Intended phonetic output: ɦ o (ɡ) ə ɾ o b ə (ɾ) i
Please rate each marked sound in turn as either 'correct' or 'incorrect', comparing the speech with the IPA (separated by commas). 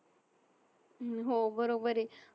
incorrect, correct